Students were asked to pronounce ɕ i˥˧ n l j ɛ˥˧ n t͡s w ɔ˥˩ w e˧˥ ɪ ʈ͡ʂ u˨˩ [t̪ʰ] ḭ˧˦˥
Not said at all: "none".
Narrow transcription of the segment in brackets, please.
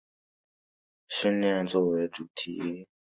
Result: t̪ʰ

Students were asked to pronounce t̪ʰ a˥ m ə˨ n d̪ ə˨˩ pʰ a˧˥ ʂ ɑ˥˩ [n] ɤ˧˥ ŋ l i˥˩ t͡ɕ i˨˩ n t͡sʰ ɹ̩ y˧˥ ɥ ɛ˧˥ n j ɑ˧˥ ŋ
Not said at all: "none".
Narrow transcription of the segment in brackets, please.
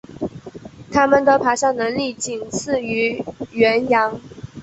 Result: n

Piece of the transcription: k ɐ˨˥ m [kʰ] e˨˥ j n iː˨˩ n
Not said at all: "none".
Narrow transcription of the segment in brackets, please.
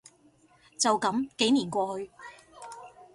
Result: k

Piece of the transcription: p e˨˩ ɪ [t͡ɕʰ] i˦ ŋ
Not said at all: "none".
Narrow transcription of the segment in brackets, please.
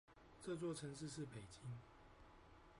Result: t͡ɕ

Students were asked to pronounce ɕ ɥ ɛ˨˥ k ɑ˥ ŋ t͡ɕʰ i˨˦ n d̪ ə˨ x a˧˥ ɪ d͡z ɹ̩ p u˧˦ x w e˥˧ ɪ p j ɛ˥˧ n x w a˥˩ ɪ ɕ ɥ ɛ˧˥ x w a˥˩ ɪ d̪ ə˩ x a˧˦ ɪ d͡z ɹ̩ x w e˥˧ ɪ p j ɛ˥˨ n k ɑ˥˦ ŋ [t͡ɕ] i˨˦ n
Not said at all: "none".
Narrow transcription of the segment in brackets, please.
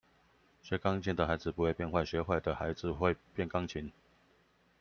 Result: t͡ɕʰ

